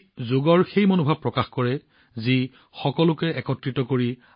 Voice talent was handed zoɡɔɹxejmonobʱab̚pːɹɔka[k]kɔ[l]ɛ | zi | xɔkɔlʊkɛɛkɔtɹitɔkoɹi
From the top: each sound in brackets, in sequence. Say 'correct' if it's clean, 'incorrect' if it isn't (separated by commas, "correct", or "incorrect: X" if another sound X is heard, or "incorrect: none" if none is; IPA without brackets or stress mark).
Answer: incorrect: x, incorrect: ɹ